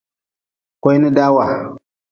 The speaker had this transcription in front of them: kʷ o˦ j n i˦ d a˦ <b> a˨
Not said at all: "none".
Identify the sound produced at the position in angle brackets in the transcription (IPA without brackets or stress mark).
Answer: w